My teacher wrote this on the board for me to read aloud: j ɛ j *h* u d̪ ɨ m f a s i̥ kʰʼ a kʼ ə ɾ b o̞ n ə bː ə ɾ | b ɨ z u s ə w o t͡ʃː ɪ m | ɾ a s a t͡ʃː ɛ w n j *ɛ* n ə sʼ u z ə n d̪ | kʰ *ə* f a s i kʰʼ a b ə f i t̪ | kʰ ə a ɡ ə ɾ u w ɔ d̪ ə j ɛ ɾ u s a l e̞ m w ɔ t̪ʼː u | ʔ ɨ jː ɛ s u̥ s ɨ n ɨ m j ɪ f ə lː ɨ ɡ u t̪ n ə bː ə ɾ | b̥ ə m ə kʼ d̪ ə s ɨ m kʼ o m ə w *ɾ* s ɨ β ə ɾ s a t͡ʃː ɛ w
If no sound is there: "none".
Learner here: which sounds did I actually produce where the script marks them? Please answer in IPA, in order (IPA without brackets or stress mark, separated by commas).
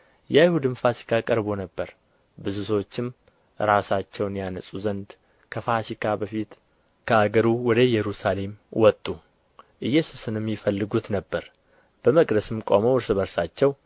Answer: h, a, ə, ɾ